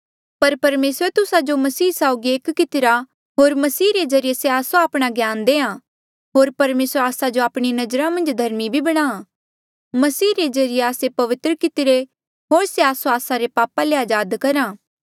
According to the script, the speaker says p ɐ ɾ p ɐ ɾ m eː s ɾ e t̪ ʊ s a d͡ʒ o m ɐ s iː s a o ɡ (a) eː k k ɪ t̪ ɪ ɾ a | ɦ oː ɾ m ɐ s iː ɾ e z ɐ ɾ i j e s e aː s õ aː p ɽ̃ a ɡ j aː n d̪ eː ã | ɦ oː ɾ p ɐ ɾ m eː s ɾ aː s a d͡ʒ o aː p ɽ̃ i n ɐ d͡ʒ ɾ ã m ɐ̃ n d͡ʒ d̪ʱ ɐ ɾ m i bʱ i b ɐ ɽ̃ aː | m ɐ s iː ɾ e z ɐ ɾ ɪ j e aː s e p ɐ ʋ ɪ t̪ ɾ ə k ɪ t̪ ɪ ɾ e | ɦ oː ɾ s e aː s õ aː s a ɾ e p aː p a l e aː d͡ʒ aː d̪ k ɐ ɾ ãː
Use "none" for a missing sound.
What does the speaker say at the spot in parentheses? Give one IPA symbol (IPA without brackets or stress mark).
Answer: i